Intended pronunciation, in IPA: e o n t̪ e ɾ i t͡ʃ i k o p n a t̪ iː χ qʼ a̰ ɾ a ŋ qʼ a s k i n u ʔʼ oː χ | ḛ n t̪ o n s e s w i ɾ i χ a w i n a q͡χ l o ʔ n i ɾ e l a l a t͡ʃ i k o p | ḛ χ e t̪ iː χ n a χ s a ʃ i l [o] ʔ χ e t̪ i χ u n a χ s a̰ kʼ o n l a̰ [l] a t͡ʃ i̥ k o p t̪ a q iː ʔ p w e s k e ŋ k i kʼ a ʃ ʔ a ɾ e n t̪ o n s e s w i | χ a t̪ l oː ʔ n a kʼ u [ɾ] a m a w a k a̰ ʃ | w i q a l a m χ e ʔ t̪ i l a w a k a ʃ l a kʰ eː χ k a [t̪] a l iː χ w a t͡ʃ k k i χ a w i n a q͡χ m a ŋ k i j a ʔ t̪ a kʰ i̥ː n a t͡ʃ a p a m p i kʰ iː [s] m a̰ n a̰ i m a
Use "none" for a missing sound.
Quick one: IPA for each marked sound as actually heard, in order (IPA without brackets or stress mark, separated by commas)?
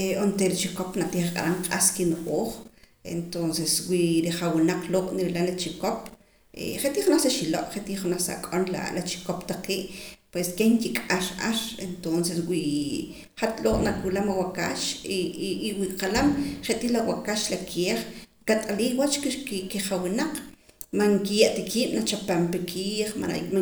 o, l, l, t̪ʼ, χ